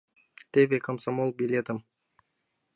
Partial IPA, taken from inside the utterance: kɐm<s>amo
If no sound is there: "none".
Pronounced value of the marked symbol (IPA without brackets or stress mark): s